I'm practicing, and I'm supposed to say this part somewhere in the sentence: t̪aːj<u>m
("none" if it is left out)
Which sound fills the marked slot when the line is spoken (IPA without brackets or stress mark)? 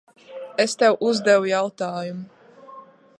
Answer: u